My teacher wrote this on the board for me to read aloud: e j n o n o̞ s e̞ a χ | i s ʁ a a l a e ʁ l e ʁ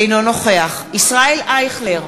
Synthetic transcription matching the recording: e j n o n o̞ χ e̞ a χ | i s ʁ a e l a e χ l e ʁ